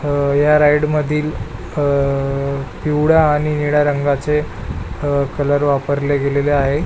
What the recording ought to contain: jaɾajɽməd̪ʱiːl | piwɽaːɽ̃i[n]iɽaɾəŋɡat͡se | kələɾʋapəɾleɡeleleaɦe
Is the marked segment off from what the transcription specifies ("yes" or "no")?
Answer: no